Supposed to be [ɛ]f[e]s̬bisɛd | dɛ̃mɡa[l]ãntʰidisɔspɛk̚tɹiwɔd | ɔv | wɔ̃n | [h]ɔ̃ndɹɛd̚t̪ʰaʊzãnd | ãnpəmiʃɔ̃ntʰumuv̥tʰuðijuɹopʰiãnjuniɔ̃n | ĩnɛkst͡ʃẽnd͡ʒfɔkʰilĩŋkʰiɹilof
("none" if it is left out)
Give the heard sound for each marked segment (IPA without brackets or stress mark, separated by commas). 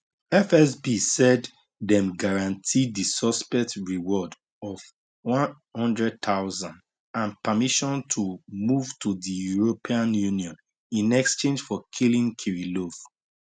ɛ, ɛ, ɹ, h